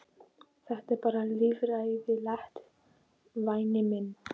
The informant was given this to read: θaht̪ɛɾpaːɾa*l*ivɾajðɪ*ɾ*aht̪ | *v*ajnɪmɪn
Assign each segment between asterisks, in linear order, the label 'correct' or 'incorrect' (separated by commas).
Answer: correct, incorrect, correct